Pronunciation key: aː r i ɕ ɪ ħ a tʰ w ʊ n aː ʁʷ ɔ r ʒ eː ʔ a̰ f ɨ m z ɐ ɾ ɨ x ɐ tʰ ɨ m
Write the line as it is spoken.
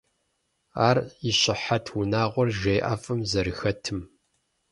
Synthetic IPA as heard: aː r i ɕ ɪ ħ a tʰ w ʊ n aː ʁʷ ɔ r ʒ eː ʔ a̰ f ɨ m z ɐ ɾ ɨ x ɐ tʰ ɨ m